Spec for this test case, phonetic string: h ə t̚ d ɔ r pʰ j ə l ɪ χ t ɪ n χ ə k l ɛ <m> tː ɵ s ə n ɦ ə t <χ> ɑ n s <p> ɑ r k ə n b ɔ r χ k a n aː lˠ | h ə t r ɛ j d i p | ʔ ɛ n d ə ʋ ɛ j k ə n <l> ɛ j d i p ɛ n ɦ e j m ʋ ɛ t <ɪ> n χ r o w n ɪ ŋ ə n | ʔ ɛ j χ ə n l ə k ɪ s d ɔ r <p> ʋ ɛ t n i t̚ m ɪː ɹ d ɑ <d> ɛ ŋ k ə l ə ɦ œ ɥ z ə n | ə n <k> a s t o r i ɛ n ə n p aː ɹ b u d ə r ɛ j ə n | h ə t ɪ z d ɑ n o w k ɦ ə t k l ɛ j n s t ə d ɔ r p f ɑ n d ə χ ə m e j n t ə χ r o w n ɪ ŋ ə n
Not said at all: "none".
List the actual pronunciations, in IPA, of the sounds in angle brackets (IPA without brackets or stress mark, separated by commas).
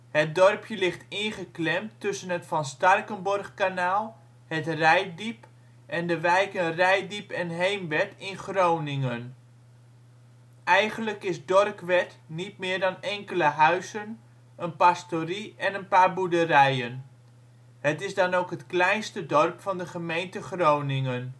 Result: m, f, t, r, ɪ, k, n, p